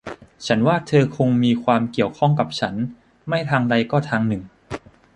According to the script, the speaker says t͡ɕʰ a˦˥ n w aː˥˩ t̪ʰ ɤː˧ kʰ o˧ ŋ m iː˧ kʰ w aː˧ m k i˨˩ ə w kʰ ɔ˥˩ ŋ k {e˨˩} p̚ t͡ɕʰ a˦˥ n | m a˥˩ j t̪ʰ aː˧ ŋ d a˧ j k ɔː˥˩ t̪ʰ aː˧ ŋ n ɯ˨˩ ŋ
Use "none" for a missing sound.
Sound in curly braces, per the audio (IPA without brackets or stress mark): a˨˩